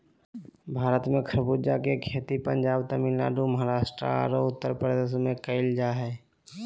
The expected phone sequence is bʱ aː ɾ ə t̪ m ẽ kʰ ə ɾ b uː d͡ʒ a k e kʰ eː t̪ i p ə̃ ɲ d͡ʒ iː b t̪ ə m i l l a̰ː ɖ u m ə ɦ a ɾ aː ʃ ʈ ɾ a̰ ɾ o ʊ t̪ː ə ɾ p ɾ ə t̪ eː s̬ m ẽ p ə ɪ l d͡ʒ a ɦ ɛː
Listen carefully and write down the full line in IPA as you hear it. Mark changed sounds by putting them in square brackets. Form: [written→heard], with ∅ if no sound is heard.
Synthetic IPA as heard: bʱ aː ɾ ə t̪ m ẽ kʰ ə ɾ b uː d͡ʒ a k e kʰ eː t̪ i p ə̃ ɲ d͡ʒ [iː→aː] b t̪ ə m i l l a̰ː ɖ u m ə ɦ a ɾ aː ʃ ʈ ɾ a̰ ɾ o ʊ t̪ː ə ɾ p ɾ ə [t̪→d̪] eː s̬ m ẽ [p→k] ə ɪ l d͡ʒ a ɦ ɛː

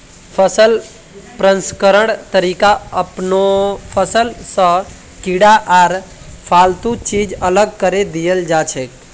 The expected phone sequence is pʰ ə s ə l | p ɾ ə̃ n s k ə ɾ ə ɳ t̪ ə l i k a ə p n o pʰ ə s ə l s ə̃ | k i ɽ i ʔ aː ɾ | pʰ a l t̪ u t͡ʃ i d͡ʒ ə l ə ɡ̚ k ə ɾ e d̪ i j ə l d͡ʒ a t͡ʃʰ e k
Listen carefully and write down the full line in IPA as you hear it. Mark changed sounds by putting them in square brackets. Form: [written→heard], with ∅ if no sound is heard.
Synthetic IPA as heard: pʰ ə s ə l | p ɾ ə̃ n s k ə ɾ ə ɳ t̪ ə [l→ɾ] i k a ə p n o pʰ ə s ə l s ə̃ | k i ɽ [i→a] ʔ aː ɾ | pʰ a l t̪ u t͡ʃ i d͡ʒ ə l ə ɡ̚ k ə ɾ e d̪ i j ə l d͡ʒ a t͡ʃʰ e k

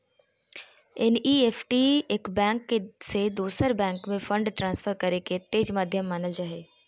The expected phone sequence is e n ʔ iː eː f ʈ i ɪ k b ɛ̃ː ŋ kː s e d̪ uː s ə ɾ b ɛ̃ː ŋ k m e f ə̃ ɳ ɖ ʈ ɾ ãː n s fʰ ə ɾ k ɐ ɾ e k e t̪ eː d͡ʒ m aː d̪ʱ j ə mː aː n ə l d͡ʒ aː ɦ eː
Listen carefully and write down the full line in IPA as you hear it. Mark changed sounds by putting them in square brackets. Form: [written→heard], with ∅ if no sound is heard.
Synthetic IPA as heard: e n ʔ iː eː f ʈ i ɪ k b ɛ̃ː ŋ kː s e d̪ uː s ə ɾ b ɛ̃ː ŋ k m [e→ẽ] f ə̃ ɳ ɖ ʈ ɾ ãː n s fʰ ə ɾ k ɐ ɾ e k e t̪ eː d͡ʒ m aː d̪ʱ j ə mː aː n ə l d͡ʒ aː ɦ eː

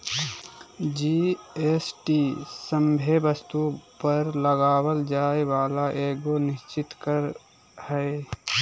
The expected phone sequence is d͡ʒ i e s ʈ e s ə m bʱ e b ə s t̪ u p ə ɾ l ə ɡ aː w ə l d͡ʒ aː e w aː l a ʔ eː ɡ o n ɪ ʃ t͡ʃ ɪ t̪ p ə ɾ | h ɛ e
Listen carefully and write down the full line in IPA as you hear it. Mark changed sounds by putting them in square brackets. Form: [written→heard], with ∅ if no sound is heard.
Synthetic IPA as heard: d͡ʒ i e s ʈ [e→i] s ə m bʱ e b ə s t̪ u p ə ɾ l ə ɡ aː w ə l d͡ʒ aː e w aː l a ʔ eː ɡ o n ɪ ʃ t͡ʃ ɪ t̪ [p→k] ə ɾ | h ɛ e

